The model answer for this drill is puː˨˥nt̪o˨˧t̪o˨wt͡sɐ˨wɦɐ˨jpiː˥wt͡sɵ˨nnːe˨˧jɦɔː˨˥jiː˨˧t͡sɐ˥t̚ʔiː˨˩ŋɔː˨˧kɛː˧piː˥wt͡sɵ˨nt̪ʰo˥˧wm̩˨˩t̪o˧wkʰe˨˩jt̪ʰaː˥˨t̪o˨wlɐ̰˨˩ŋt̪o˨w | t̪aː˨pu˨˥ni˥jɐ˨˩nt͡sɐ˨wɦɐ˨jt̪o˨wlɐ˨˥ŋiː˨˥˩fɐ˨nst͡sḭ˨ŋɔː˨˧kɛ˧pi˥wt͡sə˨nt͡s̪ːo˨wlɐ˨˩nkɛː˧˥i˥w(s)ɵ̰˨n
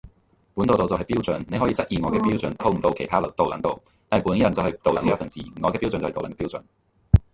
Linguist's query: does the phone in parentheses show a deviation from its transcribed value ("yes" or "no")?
yes